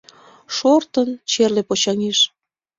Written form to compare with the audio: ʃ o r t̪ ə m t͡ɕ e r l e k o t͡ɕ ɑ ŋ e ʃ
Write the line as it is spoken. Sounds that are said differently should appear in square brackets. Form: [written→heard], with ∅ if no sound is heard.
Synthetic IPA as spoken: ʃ o r t̪ ə [m→n] t͡ɕ e r l e [k→p] o t͡ɕ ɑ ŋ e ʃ

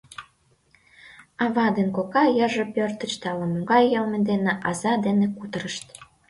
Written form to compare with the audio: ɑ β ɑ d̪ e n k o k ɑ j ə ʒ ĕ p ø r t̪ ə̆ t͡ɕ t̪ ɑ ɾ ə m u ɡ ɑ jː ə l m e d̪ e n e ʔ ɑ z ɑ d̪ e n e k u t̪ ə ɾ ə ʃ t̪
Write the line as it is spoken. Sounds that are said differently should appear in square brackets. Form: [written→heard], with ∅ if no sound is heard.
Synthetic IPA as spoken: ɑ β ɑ d̪ e n k o k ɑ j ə ʒ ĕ p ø r t̪ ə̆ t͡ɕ t̪ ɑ [ɾ→l] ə m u ɡ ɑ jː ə l m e d̪ e n e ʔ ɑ z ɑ d̪ e n e k u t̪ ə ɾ ə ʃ t̪

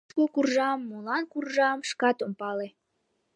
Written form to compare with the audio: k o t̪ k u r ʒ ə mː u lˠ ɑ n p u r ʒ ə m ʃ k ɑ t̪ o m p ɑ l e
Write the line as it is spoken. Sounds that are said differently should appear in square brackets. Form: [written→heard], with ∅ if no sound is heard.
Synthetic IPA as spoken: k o [t̪→∅] k u r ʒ [ə→ɑ] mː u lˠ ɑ n [p→k] u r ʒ [ə→ɑ] m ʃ k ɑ t̪ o m p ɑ l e

